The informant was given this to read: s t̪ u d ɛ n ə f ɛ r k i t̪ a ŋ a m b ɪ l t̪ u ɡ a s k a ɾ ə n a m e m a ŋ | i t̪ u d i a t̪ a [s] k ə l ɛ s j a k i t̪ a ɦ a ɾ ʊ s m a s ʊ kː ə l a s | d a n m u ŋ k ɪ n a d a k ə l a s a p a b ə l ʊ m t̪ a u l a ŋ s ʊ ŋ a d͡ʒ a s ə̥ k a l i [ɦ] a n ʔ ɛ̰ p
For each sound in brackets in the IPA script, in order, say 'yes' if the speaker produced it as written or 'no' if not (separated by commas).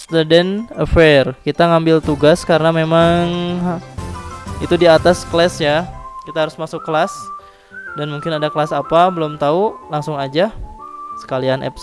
yes, no